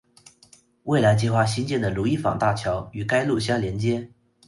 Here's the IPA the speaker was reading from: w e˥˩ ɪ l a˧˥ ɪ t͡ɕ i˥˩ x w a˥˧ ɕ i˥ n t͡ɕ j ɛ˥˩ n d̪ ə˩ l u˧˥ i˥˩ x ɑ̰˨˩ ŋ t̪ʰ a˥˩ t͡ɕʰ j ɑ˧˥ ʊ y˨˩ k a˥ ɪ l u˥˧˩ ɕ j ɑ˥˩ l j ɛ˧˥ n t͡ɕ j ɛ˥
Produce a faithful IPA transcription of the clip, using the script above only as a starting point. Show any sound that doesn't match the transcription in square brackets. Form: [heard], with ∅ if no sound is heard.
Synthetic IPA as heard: w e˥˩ ɪ l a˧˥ ɪ t͡ɕ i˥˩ x w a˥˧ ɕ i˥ n t͡ɕ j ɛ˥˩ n d̪ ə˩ l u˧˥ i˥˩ [f] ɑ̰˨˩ ŋ [t̪] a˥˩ t͡ɕʰ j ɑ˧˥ ʊ y˨˩ k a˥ ɪ l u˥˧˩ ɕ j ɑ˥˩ l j ɛ˧˥ n t͡ɕ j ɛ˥